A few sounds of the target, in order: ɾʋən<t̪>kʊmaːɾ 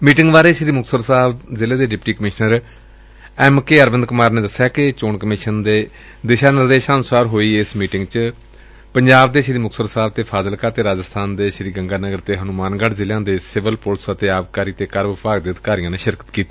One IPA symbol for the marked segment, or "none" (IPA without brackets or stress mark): d̪